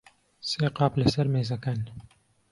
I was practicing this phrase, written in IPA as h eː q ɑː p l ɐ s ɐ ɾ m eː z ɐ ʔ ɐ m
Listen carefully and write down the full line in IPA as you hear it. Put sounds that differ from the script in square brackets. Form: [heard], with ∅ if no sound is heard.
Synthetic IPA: [s] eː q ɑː p l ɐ s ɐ ɾ m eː z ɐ [k] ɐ [n]